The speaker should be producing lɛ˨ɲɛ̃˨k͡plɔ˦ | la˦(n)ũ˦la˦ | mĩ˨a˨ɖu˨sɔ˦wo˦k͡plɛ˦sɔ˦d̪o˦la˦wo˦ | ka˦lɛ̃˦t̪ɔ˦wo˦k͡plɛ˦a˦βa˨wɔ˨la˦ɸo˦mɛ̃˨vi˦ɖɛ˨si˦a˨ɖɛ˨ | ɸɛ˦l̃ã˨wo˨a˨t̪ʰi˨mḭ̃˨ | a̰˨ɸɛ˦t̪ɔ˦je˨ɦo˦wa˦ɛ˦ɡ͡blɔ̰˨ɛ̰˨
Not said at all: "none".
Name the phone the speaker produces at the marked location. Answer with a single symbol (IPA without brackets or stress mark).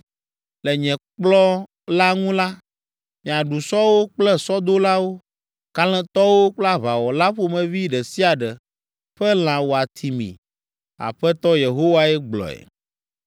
ŋ